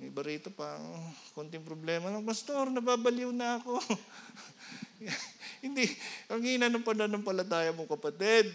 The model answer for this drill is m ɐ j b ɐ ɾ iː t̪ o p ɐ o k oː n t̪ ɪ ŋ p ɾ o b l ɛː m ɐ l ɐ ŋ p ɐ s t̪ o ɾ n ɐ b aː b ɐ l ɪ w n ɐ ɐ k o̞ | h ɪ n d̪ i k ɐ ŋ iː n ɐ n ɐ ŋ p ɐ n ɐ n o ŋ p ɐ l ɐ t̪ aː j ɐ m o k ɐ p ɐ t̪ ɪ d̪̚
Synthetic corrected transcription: m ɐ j b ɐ ɾ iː t̪ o p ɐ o k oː n t̪ ɪ ŋ p ɾ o b l ɛː m ɐ l ɐ ŋ p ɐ s t̪ o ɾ n ɐ b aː b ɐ l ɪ w n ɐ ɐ k o̞ | h ɪ n d̪ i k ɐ ŋ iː n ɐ n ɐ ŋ p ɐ n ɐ n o ŋ p ɐ l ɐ t̪ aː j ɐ m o k ɐ p ɐ t̪ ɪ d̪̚